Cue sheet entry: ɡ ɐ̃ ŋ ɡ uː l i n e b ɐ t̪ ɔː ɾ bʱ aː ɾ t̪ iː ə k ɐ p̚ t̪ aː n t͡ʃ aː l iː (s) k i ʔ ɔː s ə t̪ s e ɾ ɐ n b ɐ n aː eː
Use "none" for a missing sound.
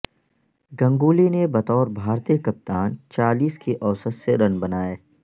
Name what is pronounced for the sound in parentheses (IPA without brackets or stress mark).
s